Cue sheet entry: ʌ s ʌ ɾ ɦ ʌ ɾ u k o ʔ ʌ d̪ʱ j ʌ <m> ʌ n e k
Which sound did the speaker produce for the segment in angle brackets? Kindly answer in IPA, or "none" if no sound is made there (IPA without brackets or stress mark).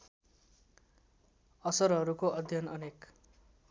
n